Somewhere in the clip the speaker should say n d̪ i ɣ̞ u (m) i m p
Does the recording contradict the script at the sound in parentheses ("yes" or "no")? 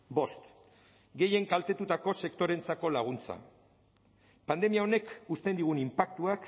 yes